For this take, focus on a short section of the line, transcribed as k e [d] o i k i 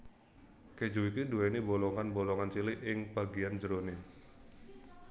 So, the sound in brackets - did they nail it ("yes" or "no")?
no